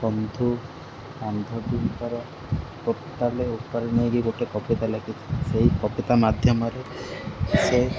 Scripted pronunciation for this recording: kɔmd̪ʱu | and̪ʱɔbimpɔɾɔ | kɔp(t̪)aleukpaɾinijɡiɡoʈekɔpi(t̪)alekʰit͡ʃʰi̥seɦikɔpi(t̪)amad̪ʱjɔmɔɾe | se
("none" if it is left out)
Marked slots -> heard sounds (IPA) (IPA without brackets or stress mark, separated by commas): t̪, t̪, t̪